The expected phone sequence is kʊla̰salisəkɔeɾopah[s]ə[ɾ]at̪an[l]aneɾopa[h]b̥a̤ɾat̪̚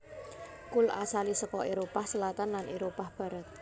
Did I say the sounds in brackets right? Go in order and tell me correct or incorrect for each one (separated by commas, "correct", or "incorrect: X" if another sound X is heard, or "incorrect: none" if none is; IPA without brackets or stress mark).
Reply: correct, incorrect: l, correct, correct